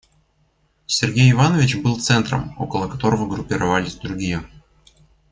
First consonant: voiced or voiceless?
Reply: voiceless